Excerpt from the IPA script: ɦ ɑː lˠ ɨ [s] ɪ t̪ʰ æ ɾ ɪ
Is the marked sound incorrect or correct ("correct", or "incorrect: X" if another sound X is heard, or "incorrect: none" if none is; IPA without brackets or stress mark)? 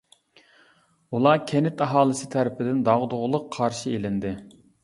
correct